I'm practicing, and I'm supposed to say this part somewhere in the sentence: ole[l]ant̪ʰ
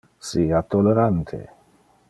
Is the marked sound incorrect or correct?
incorrect: ɾ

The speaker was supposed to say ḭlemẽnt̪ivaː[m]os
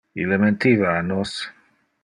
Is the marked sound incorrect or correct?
incorrect: n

